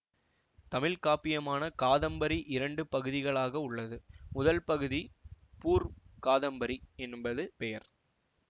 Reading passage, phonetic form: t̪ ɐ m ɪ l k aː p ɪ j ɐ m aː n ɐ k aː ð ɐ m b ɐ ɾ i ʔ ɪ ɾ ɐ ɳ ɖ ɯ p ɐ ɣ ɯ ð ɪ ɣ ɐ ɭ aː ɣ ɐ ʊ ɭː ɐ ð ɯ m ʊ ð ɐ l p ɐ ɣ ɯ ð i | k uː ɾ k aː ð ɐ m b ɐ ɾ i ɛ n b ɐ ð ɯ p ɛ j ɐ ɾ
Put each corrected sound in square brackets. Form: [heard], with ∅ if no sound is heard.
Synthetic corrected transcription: t̪ ɐ m ɪ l k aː p ɪ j ɐ m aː n ɐ k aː ð ɐ m b ɐ ɾ i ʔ ɪ ɾ ɐ ɳ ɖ ɯ p ɐ ɣ ɯ ð ɪ ɣ ɐ ɭ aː ɣ ɐ ʊ ɭː ɐ ð ɯ m ʊ ð ɐ l p ɐ ɣ ɯ ð i | [p] uː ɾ k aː ð ɐ m b ɐ ɾ i ɛ n b ɐ ð ɯ p ɛ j ɐ ɾ